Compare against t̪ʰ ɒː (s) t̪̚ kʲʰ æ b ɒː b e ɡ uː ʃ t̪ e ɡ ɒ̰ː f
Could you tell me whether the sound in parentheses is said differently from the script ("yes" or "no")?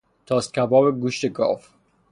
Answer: no